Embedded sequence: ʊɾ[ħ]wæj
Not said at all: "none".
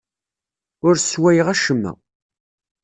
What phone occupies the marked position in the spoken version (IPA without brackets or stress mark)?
s